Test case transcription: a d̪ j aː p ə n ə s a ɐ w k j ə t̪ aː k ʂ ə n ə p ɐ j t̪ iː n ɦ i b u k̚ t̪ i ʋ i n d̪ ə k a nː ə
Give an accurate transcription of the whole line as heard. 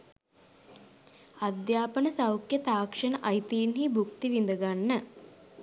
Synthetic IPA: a d̪ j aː p ə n ə s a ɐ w k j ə t̪ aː k ʂ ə n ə ʔ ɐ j t̪ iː n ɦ i b u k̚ t̪ i ʋ i n d̪ ə ɡ a nː ə